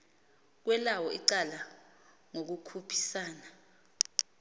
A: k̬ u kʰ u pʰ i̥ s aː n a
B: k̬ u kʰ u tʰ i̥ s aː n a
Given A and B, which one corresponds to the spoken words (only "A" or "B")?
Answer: A